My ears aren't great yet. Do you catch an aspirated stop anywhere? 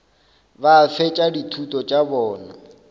yes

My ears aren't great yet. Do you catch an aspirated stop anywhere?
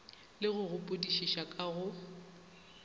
no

